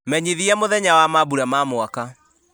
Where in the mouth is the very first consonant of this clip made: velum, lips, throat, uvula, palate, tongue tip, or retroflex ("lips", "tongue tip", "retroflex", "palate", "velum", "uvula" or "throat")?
lips